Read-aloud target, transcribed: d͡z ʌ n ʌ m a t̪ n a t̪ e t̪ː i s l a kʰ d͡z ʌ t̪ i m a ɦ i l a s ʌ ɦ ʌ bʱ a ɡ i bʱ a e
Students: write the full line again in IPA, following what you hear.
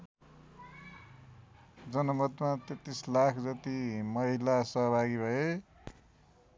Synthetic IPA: d͡z ʌ n ʌ m ʌ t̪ m a t̪ e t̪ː i s l a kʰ d͡z ʌ t̪ i m ʌ ɦ i l a s ʌ ɦ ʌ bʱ a ɡ i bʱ ʌ e

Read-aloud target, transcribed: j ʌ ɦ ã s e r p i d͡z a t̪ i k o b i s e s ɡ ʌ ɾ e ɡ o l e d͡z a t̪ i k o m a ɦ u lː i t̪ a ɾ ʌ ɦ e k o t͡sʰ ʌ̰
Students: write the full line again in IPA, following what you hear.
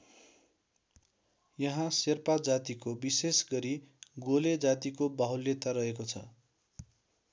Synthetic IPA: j ʌ ɦ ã s e r p a d͡z a t̪ i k o b i s e s ɡ ʌ ɾ i ɡ o l e d͡z a t̪ i k o b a ɦ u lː e t̪ a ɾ ʌ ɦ e k o t͡sʰ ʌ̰

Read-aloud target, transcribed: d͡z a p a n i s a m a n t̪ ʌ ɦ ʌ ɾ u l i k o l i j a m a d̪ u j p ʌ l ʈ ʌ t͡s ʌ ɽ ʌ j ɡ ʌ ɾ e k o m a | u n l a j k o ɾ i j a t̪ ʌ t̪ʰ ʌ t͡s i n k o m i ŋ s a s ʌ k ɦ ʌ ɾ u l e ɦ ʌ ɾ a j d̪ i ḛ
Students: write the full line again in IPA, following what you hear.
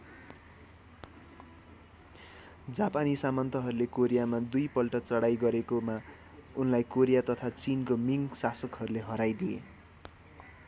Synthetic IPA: d͡z a p a n i s a m ʌ n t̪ ʌ ɦ ʌ ɾ u l e k o ɾ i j a m a d̪ u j p ʌ l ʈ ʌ t͡s ʌ ɽ a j ɡ ʌ ɾ e k o m a | u n l a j k o ɾ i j a t̪ ʌ t̪ʰ a t͡s i n k o m i ŋ s a s ʌ k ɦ ʌ ɾ u l e ɦ ʌ ɾ a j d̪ i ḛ

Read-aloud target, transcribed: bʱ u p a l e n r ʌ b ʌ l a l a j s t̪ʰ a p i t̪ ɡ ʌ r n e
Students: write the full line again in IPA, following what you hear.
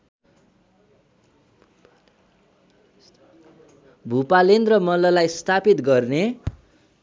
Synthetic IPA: bʱ u p a l e n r ʌ m ʌ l ʌ l a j s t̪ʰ a p i t̪ ɡ ʌ r n e

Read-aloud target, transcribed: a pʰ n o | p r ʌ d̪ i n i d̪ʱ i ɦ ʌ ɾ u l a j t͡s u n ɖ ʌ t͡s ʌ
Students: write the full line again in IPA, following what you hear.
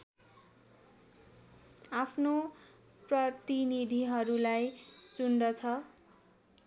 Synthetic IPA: a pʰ n o | p r ʌ t̪ i n i d̪ʱ i ɦ ʌ ɾ u l a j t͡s u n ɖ ʌ t͡sʰ ʌ

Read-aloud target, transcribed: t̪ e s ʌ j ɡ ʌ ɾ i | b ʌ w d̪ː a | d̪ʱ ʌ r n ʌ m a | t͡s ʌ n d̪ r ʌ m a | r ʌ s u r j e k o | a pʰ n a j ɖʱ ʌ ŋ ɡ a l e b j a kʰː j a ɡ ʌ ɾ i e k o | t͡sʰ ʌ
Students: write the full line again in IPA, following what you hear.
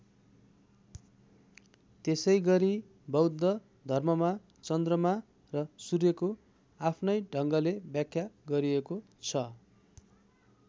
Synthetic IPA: t̪ e s ʌ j ɡ ʌ ɾ i | b ʌ w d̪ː ʌ | d̪ʱ ʌ r m ʌ m a | t͡s ʌ n d̪ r ʌ m a | r ʌ s u r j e k o | a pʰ n ʌ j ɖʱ ʌ ŋ ɡ ʌ l e b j a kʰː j a ɡ ʌ ɾ i e k o | t͡sʰ ʌ

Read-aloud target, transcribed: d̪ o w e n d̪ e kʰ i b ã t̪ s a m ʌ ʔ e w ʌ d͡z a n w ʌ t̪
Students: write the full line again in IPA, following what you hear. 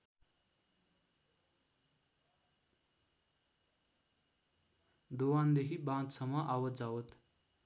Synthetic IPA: d̪ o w a n d̪ e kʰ i b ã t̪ s ʌ m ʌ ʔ a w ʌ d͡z a w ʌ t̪

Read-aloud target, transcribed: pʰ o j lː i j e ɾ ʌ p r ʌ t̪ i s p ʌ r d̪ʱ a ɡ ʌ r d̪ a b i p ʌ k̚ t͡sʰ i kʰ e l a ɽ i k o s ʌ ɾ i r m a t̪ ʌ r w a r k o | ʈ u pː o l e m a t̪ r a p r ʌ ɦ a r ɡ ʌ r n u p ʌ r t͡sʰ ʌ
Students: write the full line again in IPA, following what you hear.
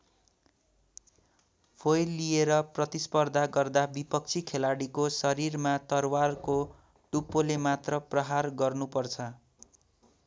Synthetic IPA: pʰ o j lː i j e ɾ ʌ p r ʌ t̪ i s p ʌ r d̪ʱ a ɡ ʌ r d̪ a b i p ʌ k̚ t͡sʰ i kʰ e l a ɽ i k o s ʌ ɾ i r m a t̪ ʌ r w a r k o | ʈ u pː o l e m a t̪ r ʌ p r ʌ ɦ a r ɡ ʌ r n u p ʌ r t͡sʰ ʌ

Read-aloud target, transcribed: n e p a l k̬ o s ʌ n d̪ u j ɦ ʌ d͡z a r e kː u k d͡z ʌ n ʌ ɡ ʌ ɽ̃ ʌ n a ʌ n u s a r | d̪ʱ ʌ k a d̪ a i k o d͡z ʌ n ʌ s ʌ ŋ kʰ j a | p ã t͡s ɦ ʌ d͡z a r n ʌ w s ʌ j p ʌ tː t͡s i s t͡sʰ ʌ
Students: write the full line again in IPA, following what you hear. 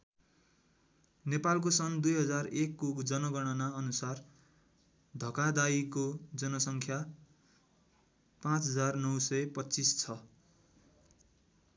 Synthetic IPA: n e p a l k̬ o s ʌ n d̪ u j ɦ ʌ d͡z a r e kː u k d͡z ʌ n ʌ ɡ ʌ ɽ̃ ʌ n a ʌ n u s a r | d̪ʱ ʌ k a d̪ a i k o d͡z ʌ n ʌ s ʌ ŋ kʰ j a | p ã t͡s ɦ ʌ d͡z a r n ʌ w s ʌ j p ʌ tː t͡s i s t͡sʰ ʌ

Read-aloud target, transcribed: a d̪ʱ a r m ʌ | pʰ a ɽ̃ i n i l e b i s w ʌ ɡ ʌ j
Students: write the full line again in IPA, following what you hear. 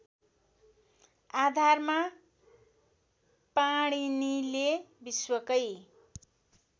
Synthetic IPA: a d̪ʱ a r m a | p a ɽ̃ i n i l e b i s w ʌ k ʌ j

